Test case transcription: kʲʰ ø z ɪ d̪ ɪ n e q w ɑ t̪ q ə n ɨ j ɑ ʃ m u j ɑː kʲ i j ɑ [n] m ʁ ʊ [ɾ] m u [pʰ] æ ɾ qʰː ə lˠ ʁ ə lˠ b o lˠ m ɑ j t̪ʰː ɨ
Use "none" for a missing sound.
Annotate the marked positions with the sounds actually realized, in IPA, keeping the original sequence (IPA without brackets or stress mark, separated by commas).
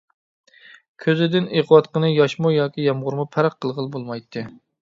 none, ɾ, pʰ